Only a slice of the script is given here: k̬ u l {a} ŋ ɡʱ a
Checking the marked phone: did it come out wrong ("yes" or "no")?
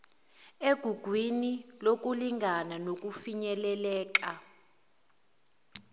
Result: yes